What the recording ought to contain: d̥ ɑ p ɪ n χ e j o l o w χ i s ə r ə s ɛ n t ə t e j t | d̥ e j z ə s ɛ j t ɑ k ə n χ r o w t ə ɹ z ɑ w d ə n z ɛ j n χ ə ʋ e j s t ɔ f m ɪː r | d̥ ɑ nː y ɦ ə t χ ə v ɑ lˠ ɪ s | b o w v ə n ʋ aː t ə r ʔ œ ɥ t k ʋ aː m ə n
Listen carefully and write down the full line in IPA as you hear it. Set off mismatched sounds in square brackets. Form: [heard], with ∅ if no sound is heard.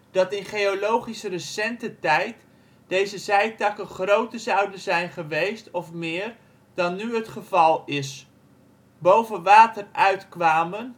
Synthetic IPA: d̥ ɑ [t] ɪ n χ e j o l o w χ i s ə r ə s ɛ n t ə t [ɛ] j t | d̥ e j z ə [z] ɛ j t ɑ k ə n χ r o w t ə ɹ z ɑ w d ə n z ɛ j n χ ə ʋ e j s t ɔ f m ɪː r | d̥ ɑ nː y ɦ ə t χ ə v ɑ lˠ ɪ s | b o w v ə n ʋ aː t ə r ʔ œ ɥ t k ʋ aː m ə n